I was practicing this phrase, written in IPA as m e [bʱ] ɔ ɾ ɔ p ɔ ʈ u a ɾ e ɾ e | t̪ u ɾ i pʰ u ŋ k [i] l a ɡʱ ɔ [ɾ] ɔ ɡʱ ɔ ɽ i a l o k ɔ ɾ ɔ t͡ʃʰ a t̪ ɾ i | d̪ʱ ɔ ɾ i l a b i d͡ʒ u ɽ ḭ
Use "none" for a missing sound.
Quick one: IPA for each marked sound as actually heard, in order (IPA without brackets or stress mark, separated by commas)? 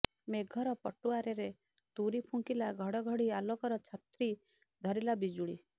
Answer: ɡʱ, i, ɽ